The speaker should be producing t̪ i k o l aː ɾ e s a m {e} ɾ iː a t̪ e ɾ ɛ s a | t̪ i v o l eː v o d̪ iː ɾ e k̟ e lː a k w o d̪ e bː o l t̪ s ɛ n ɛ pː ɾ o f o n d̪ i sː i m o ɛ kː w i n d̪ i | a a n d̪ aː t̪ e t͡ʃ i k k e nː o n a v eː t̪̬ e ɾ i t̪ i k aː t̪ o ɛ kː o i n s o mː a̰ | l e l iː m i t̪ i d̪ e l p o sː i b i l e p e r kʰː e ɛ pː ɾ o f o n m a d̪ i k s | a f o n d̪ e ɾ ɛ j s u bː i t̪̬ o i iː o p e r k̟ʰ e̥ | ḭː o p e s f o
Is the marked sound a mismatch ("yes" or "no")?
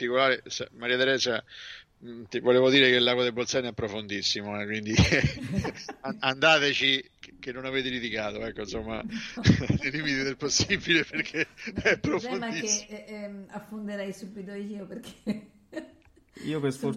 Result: yes